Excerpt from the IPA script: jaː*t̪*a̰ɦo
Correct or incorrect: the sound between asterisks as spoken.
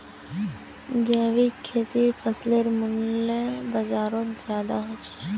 incorrect: d̪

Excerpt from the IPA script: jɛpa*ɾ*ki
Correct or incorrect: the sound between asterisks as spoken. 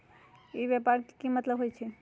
correct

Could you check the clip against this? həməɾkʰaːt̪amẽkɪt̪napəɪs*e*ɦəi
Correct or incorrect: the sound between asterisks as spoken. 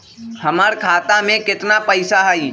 incorrect: a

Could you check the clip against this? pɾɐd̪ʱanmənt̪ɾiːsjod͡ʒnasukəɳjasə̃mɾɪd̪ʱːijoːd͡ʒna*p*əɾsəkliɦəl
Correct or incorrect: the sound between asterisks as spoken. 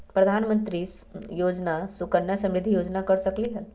incorrect: k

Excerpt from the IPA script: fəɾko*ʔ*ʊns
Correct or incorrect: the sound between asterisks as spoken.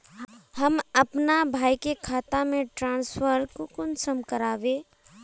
incorrect: k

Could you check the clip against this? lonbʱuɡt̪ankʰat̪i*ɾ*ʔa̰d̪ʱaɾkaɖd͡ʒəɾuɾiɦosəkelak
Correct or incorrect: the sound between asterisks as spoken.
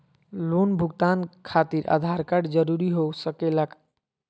correct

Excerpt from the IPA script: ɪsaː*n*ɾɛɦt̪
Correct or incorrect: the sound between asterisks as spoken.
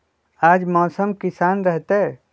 correct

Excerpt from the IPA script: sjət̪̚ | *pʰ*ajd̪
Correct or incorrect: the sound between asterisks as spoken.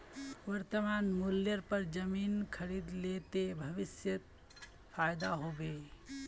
correct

